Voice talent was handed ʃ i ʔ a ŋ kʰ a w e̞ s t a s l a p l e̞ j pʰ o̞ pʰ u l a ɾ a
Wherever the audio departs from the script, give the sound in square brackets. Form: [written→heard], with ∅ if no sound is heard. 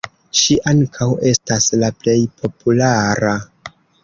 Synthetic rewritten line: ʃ i ʔ a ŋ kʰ a w e̞ s t a s l a p l e̞ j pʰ o̞ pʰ u l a ɾ a